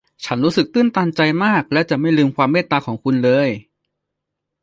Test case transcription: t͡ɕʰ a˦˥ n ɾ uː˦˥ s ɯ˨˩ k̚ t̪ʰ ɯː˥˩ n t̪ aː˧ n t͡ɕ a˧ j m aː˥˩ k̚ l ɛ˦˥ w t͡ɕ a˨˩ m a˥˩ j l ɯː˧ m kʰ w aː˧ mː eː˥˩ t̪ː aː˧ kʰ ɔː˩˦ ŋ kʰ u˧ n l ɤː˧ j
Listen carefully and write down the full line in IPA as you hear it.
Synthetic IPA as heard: t͡ɕʰ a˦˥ n ɾ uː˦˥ s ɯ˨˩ k̚ t̪ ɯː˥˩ n t̪ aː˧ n t͡ɕ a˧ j m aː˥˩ k̚ l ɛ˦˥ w t͡ɕ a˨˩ m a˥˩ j l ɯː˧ m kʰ w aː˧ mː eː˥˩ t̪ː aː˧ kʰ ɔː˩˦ ŋ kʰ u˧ n l ɤː˧ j

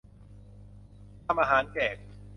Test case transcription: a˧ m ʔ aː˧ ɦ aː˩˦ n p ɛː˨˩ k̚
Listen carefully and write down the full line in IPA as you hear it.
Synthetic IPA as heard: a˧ m ʔ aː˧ ɦ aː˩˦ n k ɛː˨˩ k̚

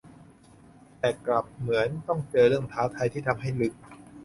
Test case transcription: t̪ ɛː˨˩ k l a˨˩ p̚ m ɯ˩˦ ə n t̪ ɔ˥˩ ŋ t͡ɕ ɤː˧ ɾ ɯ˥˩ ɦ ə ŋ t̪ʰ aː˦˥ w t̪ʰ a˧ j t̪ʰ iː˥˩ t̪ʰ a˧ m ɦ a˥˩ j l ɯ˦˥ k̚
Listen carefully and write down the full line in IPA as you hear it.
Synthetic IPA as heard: t̪ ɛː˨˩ k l a˨˩ p̚ m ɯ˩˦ ə n t̪ ɔ˥˩ ŋ t͡ɕ ɤː˧ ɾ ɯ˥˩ ə ŋ t̪ʰ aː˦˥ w t̪ʰ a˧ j t̪ʰ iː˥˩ t̪ʰ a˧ m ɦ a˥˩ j l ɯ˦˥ k̚

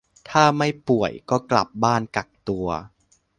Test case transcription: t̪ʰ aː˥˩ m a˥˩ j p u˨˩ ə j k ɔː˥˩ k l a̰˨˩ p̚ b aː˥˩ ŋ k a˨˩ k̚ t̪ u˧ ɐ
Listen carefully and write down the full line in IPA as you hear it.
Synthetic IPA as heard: t̪ʰ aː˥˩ m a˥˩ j p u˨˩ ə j k ɔː˥˩ k l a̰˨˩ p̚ b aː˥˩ n k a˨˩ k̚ t̪ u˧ ɐ

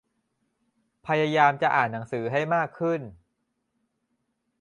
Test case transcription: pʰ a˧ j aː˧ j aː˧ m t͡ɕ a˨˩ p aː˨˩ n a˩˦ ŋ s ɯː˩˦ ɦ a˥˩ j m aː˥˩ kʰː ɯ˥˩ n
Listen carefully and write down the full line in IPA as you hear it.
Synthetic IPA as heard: pʰ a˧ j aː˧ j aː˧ m t͡ɕ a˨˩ ʔ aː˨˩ nː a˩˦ ŋ s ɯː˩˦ ɦ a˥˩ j m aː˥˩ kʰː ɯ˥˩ n

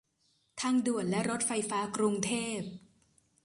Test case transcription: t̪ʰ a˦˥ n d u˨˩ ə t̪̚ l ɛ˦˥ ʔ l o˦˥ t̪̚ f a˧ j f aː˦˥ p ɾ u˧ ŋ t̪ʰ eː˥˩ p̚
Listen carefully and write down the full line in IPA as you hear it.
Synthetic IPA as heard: t̪ʰ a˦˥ ŋ d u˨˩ ə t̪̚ l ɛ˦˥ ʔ ɾ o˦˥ t̪̚ f a˧ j f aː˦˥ k ɾ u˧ ŋ t̪ʰ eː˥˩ p̚

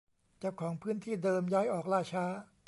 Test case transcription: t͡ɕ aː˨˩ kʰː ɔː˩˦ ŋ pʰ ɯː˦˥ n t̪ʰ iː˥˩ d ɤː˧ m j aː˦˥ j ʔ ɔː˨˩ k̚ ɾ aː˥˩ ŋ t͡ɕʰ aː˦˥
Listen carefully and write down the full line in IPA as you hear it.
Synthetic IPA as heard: t͡ɕ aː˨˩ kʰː ɔː˩˦ ŋ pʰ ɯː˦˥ n t̪ʰ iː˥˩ d ɤː˧ m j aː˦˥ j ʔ ɔː˨˩ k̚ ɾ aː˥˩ t͡ɕʰ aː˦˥

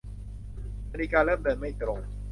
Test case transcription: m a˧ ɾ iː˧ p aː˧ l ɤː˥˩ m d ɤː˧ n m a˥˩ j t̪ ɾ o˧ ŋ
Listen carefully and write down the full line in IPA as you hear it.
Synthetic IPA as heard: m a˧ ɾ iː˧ k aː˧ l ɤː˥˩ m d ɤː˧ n m a˥˩ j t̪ ɾ o˧ ŋ

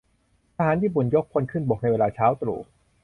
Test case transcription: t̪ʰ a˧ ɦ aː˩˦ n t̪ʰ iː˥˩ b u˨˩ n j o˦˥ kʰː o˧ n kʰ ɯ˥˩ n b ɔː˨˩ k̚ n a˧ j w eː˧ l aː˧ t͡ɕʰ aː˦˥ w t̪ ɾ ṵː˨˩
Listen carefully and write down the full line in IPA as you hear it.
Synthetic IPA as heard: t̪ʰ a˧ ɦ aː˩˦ n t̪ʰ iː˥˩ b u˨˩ n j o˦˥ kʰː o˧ n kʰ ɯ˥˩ n b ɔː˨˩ k̚ n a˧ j w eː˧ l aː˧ t͡ɕʰ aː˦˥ w t̪ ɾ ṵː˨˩

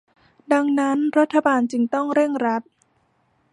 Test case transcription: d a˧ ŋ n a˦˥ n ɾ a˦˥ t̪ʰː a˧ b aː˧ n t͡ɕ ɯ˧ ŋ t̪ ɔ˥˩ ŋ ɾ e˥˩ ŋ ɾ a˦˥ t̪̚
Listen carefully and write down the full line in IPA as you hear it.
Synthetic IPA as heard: d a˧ ŋ n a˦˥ n ɾ a˦˥ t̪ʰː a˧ b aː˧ n t͡ɕ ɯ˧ ŋ t̪ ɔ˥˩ ŋ ɾ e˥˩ ŋ ɾ a˦˥ t̪̚

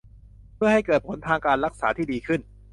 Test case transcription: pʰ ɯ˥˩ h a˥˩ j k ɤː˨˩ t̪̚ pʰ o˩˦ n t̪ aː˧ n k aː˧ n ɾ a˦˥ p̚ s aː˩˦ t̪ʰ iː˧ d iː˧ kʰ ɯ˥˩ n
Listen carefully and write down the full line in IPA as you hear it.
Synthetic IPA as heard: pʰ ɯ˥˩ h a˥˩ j k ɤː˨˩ t̪̚ pʰ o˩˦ n t̪ʰ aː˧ ŋ k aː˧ n ɾ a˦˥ k̚ s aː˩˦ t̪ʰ iː˥˩ d iː˧ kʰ ɯ˥˩ n

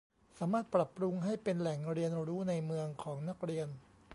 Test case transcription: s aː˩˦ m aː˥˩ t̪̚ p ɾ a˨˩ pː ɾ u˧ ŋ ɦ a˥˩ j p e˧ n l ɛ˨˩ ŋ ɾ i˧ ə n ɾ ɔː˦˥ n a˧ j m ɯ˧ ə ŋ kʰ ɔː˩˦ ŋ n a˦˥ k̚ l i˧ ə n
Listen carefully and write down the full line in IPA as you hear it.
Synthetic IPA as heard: s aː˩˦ m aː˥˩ t̪̚ p ɾ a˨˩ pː ɾ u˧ ŋ ɦ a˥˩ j p e˧ n l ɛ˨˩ ŋ ɾ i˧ ə n ɾ uː˦˥ n a˧ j m ɯ˧ ə ŋ kʰ ɔː˩˦ ŋ n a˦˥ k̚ ɾ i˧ ə n

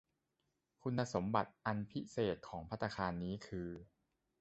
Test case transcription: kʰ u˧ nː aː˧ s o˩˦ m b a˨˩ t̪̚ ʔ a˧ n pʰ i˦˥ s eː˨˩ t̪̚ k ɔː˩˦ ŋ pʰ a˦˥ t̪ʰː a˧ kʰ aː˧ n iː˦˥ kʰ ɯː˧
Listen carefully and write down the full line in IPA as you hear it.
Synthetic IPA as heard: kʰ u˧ nː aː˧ s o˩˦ m b a˨˩ t̪̚ ʔ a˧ n pʰ i˦˥ s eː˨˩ t̪̚ kʰ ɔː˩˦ ŋ pʰ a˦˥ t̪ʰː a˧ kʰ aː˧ nː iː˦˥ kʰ ɯː˧

